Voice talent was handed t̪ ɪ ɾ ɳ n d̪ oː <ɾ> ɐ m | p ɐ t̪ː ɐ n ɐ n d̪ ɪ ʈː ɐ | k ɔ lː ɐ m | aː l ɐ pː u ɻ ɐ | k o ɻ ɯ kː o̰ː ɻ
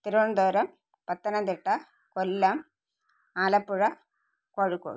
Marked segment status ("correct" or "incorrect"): correct